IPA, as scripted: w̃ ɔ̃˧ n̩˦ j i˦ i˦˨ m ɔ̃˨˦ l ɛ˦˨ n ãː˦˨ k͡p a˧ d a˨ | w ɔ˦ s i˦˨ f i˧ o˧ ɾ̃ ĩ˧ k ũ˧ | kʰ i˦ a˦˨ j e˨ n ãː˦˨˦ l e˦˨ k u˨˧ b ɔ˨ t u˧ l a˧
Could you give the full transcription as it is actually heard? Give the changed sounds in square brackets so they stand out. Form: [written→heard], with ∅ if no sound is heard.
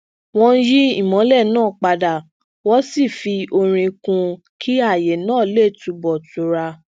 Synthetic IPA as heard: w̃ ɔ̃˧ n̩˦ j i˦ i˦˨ m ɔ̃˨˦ l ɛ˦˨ n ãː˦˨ k͡p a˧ d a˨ | w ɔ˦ s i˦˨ f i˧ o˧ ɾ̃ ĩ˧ k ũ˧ | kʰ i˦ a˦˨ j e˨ n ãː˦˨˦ l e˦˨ [k→t] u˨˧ b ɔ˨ t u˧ [l→ɾ] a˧